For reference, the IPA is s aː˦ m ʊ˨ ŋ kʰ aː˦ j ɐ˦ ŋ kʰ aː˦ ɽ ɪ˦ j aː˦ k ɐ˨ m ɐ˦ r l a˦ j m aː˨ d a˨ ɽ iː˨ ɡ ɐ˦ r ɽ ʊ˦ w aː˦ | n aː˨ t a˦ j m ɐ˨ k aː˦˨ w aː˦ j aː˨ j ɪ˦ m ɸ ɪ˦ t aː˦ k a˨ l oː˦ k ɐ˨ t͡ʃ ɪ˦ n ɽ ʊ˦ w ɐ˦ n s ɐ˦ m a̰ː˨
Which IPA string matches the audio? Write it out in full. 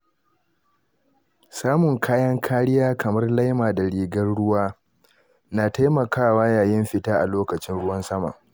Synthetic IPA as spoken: s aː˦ m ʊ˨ ŋ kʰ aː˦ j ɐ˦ ŋ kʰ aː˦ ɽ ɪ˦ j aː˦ k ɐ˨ m ɐ˦ r l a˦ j m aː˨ d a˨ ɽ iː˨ ɡ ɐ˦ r ɽ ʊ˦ w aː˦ | n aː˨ t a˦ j m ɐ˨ k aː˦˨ w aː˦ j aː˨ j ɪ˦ m ɸ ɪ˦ t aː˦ ʔ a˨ l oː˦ k ɐ˨ t͡ʃ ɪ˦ n ɽ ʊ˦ w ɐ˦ n s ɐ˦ m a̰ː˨

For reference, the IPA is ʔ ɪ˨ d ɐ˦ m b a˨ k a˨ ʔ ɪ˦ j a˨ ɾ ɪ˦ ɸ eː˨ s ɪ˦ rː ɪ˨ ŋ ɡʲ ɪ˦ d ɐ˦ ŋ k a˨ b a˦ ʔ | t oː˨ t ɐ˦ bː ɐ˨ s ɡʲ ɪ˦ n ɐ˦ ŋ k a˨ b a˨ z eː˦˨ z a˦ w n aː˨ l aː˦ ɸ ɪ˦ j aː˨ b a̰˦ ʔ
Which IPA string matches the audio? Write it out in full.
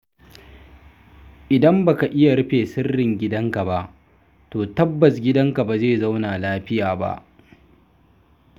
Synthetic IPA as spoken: ʔ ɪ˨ d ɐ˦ m b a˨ k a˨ ʔ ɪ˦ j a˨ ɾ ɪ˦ ɸ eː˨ s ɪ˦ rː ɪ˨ ŋ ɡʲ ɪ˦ d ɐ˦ ŋ k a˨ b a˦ ʔ | t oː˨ t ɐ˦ bː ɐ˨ s ɡʲ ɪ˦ d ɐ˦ ŋ k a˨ b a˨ z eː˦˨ z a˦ w n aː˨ l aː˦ ɸ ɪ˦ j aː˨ b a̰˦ ʔ

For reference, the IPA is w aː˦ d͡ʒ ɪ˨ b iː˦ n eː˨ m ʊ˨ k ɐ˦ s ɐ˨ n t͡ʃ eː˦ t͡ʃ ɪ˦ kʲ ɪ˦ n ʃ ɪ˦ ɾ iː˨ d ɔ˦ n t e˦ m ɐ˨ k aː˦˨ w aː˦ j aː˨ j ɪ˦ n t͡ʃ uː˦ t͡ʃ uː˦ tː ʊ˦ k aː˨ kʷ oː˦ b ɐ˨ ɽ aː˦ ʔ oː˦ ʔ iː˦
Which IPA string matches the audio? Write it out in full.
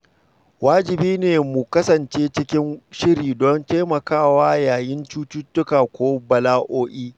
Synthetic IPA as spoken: w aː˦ d͡ʒ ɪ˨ b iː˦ n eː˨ m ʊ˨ k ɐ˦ s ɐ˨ n t͡ʃ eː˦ t͡ʃ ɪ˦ kʲ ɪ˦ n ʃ ɪ˦ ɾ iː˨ d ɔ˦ n t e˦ m ɐ˨ k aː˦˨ w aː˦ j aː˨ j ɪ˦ n t͡ʃ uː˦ t͡ʃ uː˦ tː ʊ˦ k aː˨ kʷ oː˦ b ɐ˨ l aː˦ ʔ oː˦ ʔ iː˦

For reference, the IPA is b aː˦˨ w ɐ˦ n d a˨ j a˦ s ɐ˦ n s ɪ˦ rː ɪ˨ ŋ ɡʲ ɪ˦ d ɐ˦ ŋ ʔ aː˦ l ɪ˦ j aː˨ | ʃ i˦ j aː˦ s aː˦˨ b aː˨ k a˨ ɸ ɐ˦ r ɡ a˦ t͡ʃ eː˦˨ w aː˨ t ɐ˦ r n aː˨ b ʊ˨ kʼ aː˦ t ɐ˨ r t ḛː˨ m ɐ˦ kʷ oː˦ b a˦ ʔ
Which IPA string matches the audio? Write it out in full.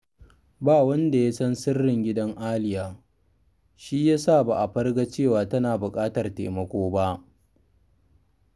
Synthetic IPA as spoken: b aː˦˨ w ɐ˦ n d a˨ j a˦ s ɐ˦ n s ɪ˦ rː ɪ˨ ŋ ɡʲ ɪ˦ d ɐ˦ ŋ ʔ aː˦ l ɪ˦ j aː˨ | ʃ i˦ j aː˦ s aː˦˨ b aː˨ ʔ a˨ ɸ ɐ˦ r ɡ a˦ t͡ʃ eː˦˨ w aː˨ t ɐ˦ n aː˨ b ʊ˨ kʼ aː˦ t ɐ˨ r t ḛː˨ m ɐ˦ kʷ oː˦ b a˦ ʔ

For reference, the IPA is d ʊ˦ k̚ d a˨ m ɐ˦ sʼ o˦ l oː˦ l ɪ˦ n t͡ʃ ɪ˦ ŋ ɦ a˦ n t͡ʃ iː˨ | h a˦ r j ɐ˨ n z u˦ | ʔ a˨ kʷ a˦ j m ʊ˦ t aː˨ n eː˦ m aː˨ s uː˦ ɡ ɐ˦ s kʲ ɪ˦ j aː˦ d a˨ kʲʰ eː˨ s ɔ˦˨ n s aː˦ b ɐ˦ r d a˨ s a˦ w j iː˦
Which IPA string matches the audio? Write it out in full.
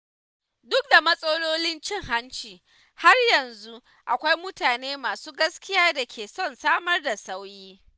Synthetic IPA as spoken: d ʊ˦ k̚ d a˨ m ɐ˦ sʼ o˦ l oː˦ l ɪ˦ n t͡ʃ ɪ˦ ŋ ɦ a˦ n t͡ʃ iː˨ | h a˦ r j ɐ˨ n z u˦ | ʔ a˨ kʷ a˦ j m ʊ˦ t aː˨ n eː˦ m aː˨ s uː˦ ɡ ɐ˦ s kʲ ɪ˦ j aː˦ d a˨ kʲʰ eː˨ s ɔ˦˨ n s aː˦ m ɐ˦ r d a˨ s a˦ w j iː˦

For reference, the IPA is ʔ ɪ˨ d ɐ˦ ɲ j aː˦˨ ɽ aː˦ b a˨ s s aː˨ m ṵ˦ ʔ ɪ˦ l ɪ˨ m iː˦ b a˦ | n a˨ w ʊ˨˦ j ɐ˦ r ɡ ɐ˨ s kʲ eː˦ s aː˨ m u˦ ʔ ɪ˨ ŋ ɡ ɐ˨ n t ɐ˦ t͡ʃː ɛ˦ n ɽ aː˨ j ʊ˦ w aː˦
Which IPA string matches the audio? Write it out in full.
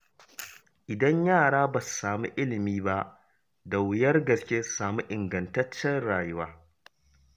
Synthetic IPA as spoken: ʔ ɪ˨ d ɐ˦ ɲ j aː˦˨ ɽ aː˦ b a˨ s s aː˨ m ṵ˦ ʔ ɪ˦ l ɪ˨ m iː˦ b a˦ | d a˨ w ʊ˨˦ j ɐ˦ r ɡ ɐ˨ s kʲ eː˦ s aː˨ m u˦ ʔ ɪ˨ ŋ ɡ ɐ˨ n t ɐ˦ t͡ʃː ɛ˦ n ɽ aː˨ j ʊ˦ w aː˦

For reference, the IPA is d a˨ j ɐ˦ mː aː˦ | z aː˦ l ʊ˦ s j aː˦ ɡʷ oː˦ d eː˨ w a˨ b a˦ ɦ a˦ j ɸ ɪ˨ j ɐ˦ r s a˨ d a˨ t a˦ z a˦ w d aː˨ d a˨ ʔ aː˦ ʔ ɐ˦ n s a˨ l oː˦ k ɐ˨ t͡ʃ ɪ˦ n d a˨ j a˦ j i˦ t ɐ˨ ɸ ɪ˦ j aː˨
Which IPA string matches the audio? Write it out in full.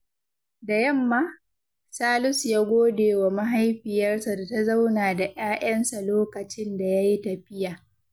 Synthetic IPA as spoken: d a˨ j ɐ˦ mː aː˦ | s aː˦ l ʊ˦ s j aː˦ ɡʷ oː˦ d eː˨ w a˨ m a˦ ɦ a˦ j ɸ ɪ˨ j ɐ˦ r s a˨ d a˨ t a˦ z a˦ w n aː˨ d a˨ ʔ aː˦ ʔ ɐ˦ n s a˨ l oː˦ k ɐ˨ t͡ʃ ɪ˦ n d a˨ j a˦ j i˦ t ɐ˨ ɸ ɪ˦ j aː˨

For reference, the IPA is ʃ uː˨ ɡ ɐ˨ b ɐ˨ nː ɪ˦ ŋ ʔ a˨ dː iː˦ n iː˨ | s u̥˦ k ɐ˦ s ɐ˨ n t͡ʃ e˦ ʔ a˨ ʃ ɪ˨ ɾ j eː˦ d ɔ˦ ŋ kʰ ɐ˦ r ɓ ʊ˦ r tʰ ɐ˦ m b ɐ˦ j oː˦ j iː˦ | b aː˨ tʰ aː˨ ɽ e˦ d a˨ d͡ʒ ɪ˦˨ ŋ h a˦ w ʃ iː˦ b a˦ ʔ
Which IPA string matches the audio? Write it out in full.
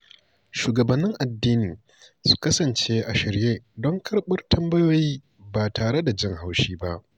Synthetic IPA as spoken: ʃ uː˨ ɡ ɐ˨ b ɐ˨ nː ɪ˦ ŋ ʔ a˨ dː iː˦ n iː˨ | s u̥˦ k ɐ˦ s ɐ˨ n t͡ʃ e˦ ʔ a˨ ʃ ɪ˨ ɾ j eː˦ d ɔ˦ ŋ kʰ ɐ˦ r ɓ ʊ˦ r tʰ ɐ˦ m b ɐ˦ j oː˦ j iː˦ | b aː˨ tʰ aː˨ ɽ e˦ d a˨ d͡ʒ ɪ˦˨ ŋ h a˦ w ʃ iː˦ b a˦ ʔ

